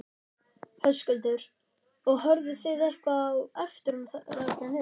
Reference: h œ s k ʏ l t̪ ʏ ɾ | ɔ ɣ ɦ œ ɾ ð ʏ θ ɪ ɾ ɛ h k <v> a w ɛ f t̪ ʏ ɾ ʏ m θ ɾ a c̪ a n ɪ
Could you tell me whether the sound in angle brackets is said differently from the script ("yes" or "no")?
no